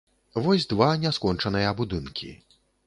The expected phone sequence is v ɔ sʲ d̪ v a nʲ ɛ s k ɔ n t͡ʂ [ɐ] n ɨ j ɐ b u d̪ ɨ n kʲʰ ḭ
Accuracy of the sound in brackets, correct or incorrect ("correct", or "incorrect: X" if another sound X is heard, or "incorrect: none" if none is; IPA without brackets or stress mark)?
correct